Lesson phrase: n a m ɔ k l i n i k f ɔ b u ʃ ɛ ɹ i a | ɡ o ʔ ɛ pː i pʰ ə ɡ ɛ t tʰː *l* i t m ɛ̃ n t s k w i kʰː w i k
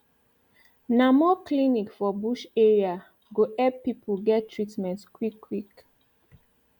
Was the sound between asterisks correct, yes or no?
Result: no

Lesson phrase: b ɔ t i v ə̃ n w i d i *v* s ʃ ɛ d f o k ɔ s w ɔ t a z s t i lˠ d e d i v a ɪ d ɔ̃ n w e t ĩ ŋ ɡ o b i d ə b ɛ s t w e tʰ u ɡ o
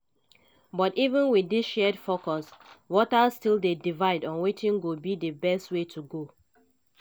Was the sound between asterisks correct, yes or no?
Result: no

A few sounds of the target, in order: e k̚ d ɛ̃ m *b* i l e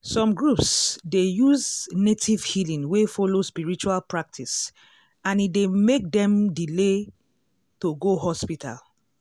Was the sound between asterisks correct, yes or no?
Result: no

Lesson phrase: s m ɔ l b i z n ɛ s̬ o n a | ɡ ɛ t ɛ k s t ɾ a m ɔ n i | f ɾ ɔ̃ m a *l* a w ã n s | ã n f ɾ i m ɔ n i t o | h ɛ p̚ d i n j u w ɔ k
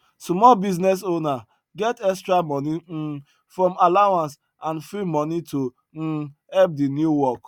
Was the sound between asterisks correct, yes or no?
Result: yes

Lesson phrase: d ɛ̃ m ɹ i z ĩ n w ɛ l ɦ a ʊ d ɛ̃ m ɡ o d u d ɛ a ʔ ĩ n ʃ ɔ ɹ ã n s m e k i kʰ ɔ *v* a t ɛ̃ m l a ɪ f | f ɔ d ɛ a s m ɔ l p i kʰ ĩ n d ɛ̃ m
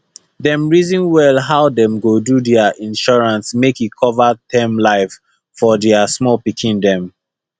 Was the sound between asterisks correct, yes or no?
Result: yes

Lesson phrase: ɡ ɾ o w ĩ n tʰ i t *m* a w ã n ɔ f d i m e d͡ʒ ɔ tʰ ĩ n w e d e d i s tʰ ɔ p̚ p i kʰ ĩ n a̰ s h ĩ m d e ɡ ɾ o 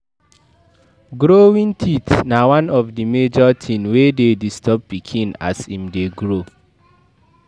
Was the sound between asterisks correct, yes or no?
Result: no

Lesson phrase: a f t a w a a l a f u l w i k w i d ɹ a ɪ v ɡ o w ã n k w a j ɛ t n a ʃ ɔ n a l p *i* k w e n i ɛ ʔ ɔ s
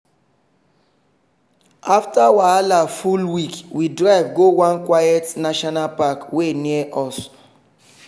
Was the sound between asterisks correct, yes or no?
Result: no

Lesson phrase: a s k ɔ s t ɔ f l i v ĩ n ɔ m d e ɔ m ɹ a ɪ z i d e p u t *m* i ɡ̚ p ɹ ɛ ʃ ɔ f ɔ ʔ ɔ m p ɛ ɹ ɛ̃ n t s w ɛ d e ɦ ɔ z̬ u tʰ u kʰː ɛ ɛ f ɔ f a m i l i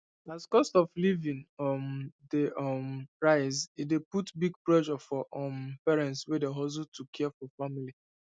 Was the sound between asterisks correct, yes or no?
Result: no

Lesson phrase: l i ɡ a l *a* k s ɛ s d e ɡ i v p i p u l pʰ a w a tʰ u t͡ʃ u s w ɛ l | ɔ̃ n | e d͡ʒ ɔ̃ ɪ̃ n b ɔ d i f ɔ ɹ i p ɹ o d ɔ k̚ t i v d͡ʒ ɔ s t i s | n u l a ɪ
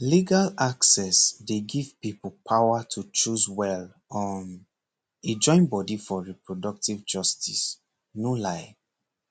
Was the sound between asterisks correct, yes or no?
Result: yes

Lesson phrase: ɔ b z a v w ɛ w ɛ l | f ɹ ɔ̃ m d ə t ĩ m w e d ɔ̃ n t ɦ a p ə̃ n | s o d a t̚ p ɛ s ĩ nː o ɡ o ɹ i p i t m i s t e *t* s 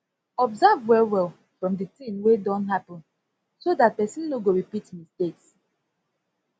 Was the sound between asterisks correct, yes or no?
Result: no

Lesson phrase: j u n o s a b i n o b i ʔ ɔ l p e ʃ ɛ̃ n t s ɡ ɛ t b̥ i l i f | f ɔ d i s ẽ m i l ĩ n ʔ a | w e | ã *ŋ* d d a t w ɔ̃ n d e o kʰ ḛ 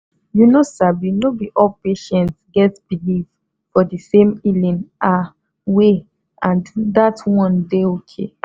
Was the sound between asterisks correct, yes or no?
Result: no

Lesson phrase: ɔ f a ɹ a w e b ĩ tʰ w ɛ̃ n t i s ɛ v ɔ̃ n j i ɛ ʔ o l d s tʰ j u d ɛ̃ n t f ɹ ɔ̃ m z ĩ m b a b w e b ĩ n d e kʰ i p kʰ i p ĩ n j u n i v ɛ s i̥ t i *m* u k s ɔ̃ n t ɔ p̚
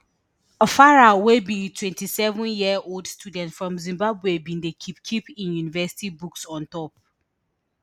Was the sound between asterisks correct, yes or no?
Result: no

